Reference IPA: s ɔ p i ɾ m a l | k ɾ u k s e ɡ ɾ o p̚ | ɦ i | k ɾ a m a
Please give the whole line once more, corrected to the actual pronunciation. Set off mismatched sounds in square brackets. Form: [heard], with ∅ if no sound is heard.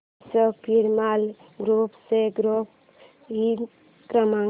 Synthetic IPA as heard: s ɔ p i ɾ m a l | [ɡ] ɾ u [p] s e ɡ ɾ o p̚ | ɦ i | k ɾ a m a